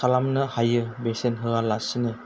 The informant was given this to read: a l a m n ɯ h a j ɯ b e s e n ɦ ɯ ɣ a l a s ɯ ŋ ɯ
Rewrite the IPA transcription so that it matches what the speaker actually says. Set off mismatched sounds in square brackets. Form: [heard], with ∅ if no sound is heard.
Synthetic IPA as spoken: a l a m n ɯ h a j ɯ b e s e n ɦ ɯ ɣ a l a s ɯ [n] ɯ